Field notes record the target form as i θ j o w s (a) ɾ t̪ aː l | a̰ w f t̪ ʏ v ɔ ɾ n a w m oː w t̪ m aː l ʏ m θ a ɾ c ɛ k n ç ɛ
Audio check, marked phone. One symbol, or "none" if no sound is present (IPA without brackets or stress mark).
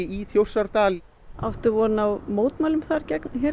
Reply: a